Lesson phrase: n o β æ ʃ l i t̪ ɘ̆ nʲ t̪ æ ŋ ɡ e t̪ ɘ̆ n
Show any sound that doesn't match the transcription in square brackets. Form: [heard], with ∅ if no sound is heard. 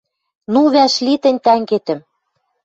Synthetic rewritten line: n [u] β æ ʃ l i t̪ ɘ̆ nʲ t̪ æ ŋ ɡ e t̪ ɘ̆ [m]